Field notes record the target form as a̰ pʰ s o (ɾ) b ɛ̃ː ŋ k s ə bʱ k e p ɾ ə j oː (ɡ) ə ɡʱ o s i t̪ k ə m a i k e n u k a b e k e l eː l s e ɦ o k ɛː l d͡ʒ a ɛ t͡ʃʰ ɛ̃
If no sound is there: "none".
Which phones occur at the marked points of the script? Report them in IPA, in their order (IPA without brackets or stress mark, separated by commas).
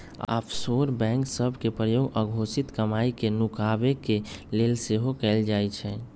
ɾ, ɡ